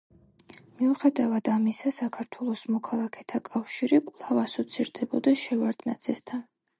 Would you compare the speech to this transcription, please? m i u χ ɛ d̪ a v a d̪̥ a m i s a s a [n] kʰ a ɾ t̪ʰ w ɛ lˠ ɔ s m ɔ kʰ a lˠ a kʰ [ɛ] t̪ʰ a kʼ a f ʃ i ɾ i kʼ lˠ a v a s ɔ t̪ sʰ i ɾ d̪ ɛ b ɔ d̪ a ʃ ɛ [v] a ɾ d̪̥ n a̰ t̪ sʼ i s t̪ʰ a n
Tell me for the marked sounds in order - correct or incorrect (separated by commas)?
incorrect, correct, correct